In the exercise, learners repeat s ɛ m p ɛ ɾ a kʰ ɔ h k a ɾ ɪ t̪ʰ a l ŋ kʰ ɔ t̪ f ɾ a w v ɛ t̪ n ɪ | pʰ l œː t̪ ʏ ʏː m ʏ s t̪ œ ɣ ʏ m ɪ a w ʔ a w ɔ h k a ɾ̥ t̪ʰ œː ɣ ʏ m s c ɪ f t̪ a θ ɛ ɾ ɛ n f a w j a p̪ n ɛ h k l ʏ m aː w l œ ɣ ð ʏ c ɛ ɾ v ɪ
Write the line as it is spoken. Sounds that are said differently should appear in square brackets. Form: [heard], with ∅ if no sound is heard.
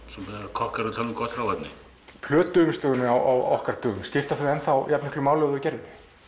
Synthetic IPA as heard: s ɛ m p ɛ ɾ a kʰ ɔ h k a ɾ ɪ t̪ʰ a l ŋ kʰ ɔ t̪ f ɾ a w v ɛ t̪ n ɪ | pʰ l œː t̪ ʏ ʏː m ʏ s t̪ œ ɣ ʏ [n] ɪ a w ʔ a w ɔ h k a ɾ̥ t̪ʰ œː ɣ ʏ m s c ɪ f t̪ a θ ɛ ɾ ɛ n [θ] a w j a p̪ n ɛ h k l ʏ m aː w l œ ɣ ð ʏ c ɛ ɾ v ɪ